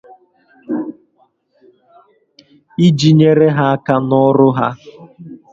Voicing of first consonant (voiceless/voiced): voiced